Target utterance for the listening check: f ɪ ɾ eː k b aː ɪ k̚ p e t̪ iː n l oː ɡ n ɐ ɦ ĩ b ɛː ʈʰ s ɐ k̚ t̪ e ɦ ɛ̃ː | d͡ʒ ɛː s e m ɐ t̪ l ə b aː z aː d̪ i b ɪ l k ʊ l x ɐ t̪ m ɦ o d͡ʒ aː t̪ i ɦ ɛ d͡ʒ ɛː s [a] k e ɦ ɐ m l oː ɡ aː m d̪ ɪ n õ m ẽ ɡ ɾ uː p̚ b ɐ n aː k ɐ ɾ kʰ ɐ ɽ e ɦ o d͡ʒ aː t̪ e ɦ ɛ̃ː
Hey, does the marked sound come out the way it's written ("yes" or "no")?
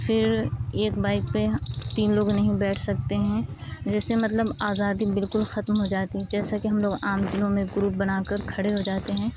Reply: yes